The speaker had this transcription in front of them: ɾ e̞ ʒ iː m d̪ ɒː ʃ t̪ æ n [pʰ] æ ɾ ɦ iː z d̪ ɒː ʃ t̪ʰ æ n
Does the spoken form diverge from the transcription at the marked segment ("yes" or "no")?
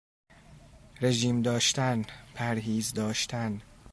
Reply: no